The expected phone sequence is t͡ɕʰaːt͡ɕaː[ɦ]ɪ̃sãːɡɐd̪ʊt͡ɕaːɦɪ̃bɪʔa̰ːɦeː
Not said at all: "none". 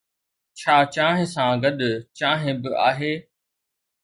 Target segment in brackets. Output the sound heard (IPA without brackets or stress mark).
ɦ